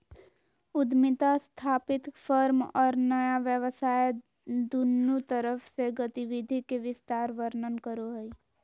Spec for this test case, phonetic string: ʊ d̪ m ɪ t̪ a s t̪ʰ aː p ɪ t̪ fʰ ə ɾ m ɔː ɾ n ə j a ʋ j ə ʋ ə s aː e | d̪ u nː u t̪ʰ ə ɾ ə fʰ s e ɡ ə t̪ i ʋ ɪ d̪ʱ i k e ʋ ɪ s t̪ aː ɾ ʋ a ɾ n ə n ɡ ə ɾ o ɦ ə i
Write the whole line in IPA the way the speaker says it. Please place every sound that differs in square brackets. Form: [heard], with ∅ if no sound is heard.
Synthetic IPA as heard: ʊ d̪ m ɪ t̪ a s t̪ʰ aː p ɪ t̪ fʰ ə ɾ m ɔː ɾ n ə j a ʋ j ə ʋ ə s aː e | d̪ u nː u [t̪] ə ɾ ə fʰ s e ɡ ə t̪ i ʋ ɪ d̪ʱ i k e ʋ ɪ s t̪ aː ɾ ʋ [ə] ɾ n ə n [k] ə ɾ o ɦ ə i